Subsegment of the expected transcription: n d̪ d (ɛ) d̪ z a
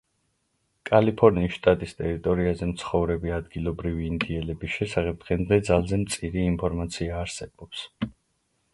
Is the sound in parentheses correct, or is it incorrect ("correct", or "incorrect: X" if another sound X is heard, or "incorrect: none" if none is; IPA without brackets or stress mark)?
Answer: correct